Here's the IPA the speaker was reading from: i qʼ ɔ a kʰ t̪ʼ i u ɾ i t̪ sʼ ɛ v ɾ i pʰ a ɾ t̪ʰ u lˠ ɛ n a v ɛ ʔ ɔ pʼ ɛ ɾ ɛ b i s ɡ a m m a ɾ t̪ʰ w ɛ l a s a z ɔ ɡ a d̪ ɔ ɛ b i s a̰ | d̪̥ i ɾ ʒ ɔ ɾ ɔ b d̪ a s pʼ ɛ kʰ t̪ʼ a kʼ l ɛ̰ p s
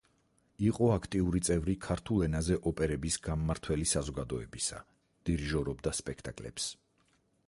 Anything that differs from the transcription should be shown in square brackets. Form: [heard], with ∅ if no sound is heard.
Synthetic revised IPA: i qʼ ɔ a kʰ t̪ʼ i u ɾ i t̪ sʼ ɛ v ɾ i [kʰ] a ɾ t̪ʰ u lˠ ɛ n a [z] ɛ ʔ ɔ pʼ ɛ ɾ ɛ b i s ɡ a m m a ɾ t̪ʰ w ɛ l [i] s a z ɔ ɡ a d̪ ɔ ɛ b i s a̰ | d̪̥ i ɾ ʒ ɔ ɾ ɔ b d̪ a s pʼ ɛ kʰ t̪ʼ a kʼ l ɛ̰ p s